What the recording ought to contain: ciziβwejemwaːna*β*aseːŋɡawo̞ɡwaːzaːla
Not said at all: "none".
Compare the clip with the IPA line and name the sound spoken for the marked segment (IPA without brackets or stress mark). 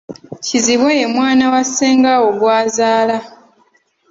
w